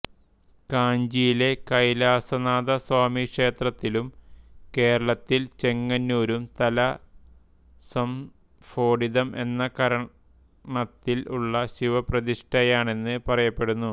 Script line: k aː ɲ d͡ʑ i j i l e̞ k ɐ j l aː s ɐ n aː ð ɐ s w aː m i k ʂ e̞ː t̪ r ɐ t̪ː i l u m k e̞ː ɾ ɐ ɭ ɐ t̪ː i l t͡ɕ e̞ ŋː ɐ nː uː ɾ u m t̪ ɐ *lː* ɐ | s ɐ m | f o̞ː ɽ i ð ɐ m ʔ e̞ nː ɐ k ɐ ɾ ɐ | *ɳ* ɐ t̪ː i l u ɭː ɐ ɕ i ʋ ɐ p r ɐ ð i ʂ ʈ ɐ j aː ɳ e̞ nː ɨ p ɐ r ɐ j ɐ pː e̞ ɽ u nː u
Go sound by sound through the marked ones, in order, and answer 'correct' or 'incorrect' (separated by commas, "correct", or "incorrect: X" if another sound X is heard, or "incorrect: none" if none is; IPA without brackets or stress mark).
incorrect: l, correct